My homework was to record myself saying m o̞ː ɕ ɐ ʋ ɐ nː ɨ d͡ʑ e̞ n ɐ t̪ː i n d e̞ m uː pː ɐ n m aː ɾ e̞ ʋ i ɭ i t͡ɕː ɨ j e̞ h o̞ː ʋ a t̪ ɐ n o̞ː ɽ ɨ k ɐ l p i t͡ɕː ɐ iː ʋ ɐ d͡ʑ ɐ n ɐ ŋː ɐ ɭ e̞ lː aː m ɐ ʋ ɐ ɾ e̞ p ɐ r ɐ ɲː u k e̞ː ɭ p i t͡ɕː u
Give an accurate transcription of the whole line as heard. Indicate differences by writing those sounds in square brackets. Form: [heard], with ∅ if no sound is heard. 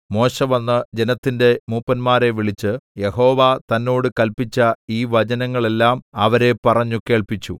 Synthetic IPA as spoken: m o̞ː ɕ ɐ ʋ ɐ nː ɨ d͡ʑ e̞ n ɐ t̪ː i n d e̞ m uː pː ɐ n m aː ɾ e̞ ʋ i ɭ i t͡ɕː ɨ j e̞ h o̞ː ʋ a t̪ ɐ [nː] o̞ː ɽ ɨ k ɐ l p i t͡ɕː ɐ iː ʋ ɐ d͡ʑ ɐ n ɐ ŋː ɐ ɭ e̞ lː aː m ɐ ʋ ɐ ɾ e̞ p ɐ r ɐ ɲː u k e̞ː ɭ p i t͡ɕː u